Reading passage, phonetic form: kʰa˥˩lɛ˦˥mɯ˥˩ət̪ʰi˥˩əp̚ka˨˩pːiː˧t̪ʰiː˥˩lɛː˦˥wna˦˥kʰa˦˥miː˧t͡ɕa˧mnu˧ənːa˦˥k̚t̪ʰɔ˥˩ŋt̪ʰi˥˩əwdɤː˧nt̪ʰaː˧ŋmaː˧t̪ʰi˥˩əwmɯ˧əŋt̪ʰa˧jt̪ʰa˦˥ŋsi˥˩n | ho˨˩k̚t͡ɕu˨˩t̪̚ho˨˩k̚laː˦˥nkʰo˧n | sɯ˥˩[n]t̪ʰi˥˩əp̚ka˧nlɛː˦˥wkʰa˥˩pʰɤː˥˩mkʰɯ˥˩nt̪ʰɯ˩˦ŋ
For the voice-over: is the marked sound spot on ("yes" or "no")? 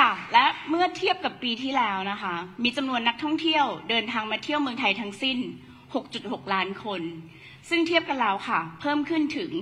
no